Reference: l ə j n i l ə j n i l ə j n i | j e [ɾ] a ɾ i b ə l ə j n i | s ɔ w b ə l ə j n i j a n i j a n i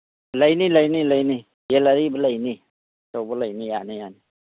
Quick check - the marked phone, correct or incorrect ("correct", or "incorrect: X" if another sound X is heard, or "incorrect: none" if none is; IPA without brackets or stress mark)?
incorrect: l